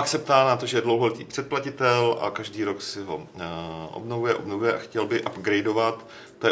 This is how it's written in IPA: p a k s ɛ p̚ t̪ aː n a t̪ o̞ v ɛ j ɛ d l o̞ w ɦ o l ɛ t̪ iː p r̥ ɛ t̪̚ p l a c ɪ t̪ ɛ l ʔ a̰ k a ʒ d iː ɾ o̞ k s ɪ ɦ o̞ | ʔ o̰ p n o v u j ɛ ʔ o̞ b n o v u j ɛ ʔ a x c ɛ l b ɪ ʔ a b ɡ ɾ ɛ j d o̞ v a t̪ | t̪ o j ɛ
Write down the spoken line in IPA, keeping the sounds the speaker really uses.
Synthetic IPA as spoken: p a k s ɛ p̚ t̪ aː n a t̪ o̞ ʒ ɛ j ɛ d l o̞ w ɦ o l ɛ t̪ iː p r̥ ɛ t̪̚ p l a c ɪ t̪ ɛ l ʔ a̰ k a ʒ d iː ɾ o̞ k s ɪ ɦ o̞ | ʔ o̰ b n o v u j ɛ ʔ o̞ b n o v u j ɛ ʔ a x c ɛ l b ɪ ʔ a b ɡ ɾ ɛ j d o̞ v a t̪ | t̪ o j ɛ